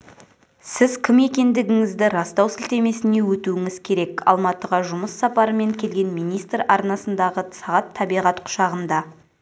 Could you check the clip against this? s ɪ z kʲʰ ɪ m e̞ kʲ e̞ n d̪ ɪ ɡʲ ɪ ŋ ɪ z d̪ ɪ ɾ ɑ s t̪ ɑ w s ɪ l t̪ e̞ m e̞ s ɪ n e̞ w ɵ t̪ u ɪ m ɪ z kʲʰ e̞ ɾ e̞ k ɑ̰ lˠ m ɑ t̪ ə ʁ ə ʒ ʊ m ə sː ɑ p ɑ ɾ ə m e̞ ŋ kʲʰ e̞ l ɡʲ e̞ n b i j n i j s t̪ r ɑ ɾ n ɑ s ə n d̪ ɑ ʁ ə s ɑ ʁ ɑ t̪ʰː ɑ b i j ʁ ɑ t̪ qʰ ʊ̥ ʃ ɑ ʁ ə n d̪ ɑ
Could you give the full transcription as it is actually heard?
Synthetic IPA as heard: s ɪ z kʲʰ ɪ m e̞ kʲ e̞ n d̪ ɪ ɡʲ ɪ ŋ ɪ z d̪ ɪ ɾ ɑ s t̪ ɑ w s ɪ l t̪ e̞ m e̞ s ɪ n e̞ w ɵ t̪ u ɪ ŋ ɪ z kʲʰ e̞ ɾ e̞ k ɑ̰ lˠ m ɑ t̪ ə ʁ ɑ ʒ ʊ m ə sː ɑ p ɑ ɾ ə m e̞ ŋ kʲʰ e̞ l ɡʲ e̞ n m i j n i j s t̪ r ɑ ɾ n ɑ s ə n d̪ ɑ ʁ ə s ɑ ʁ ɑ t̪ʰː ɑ b i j ʁ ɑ t̪ qʰ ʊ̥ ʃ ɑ ʁ ə n d̪ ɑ

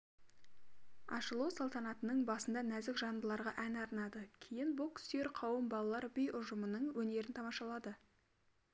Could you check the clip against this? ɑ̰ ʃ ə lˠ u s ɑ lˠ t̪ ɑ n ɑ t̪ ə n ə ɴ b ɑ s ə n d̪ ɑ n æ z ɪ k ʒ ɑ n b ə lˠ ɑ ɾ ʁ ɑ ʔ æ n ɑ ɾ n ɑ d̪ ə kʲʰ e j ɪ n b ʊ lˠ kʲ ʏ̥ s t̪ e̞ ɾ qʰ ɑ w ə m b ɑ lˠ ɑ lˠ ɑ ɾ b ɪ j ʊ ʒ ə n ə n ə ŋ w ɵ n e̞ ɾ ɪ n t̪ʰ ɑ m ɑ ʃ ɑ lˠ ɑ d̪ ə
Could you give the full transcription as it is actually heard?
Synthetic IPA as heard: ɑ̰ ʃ ə lˠ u s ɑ lˠ t̪ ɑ n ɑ t̪ ə n ə ɴ b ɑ s ə n d̪ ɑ n æ z ɪ k ʒ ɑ n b ə lˠ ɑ ɾ ʁ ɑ ʔ æ n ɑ ɾ n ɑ d̪ ə kʲʰ e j ɪ n b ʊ lˠ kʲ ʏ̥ s t̪ e̞ ɾ qʰ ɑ w ə m b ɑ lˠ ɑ lˠ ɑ ɾ b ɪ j ʊ ʒ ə m ə n ə ɴ w ɵ n e̞ ɾ ɪ n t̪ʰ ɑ m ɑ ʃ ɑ lˠ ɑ d̪ ə

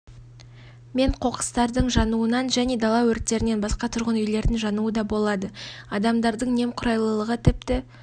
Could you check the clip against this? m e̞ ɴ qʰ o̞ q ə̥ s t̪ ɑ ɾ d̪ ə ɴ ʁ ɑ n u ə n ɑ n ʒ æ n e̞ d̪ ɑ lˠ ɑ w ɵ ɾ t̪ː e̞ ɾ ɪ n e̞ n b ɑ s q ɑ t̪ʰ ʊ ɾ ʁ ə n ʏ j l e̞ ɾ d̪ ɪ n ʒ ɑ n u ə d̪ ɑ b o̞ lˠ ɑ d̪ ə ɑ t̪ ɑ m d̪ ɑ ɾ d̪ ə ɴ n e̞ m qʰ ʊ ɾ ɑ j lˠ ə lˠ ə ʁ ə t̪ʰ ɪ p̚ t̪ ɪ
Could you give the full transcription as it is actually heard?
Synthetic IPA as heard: m e̞ ɴ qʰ o̞ q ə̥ s t̪ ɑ ɾ d̪ ə ɴ ʒ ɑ n u ə n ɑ n ʒ æ n e̞ d̪ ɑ lˠ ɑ w ɵ ɾ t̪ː e̞ ɾ ɪ n e̞ n b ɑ s q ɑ t̪ʰ ʊ ɾ ʁ ə n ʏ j l e̞ ɾ d̪ ɪ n ʒ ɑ n u ə d̪ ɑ b o̞ lˠ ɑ d̪ ə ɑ d̪ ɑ m d̪ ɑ ɾ d̪ ə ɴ n e̞ m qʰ ʊ ɾ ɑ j lˠ ə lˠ ə ʁ ə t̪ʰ ɪ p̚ t̪ ɪ

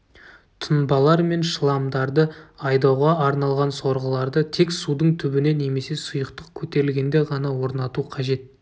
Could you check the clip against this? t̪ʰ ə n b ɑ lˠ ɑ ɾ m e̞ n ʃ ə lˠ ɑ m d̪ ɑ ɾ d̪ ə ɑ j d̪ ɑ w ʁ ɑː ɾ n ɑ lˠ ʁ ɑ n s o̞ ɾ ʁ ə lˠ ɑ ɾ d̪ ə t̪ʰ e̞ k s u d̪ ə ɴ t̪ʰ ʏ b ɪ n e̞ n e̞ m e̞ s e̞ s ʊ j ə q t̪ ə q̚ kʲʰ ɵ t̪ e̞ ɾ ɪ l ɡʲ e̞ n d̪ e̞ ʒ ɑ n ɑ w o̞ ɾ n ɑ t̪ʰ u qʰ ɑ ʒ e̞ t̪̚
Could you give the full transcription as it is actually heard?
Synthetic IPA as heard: t̪ʰ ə n b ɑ lˠ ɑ ɾ m e̞ n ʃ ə lˠ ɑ m d̪ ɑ ɾ d̪ ə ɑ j d̪ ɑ w ʁ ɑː ɾ n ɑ lˠ ʁ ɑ n s o̞ ɾ ʁ ə lˠ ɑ ɾ d̪ ə t̪ʰ e̞ k s u d̪ ə ɴ t̪ʰ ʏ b ɪ n e̞ n e̞ m e̞ s e̞ s ʊ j ə q t̪ ə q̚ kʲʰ ɵ t̪ e̞ ɾ ɪ l ɡʲ e̞ n d̪ e̞ ʁ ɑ n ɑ w o̞ ɾ n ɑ t̪ u qʰ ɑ ʒ e̞ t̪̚

